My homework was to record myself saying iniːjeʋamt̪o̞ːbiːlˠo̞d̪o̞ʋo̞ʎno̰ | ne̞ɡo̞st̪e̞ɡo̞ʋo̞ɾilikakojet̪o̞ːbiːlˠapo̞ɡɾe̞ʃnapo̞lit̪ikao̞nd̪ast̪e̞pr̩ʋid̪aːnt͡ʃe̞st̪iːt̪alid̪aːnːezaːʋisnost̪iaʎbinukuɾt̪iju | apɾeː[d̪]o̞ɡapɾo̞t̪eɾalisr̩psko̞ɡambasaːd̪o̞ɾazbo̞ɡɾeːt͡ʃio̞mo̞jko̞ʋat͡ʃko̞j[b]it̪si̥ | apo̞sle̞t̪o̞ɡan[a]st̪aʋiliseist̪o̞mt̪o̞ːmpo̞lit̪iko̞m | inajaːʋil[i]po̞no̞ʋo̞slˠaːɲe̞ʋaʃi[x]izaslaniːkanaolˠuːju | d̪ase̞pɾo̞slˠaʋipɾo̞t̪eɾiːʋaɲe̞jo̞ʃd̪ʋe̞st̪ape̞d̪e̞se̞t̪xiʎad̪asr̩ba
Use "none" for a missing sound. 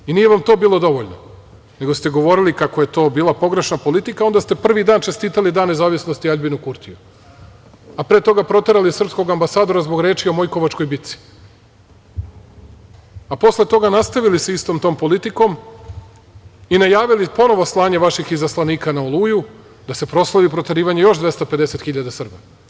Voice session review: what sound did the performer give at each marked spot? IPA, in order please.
t̪, b, a, i, x

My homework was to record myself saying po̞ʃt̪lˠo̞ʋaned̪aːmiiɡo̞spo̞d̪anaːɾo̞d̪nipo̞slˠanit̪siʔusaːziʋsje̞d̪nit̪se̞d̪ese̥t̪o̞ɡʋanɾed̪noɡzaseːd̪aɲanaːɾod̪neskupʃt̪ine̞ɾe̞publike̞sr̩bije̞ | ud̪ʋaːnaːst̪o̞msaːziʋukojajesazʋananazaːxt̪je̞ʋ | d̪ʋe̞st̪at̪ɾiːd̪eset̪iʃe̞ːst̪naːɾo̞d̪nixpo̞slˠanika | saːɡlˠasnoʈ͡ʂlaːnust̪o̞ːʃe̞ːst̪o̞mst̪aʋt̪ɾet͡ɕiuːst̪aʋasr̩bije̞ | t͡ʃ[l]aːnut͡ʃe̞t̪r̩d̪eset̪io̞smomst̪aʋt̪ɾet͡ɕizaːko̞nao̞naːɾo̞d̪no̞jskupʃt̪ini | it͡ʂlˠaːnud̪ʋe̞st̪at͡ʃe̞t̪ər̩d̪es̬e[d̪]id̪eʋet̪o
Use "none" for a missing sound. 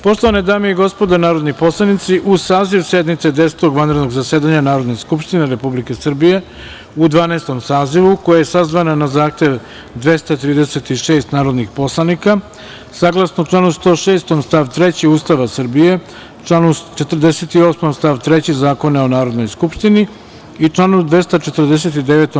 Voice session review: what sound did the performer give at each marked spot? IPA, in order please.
l, t̪

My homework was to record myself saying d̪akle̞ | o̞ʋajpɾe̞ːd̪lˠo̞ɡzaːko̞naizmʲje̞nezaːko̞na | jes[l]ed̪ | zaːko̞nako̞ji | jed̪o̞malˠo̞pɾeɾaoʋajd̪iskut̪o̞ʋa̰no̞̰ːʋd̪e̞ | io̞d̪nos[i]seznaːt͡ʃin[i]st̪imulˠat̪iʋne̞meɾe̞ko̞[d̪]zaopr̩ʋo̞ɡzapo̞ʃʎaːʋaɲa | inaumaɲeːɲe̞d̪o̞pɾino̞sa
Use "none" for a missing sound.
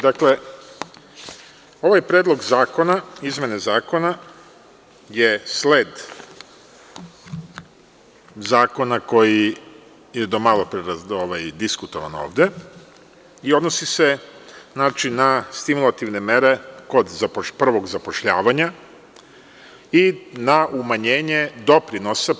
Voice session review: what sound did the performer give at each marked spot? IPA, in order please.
l, i, a, d̪

